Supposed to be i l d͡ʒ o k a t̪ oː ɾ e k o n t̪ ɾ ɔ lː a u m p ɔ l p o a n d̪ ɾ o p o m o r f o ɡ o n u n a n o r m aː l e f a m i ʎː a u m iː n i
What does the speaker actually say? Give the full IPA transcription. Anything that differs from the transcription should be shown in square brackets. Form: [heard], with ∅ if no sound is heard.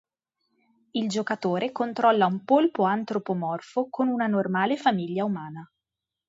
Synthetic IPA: i l d͡ʒ o k a t̪ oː ɾ e k o n t̪ ɾ ɔ lː a u m p [o] l p o a n [t̪] ɾ o p o m [ɔ] r f o [k] o n u n a n o r m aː l e f a m i ʎː a u m [aː] n [a]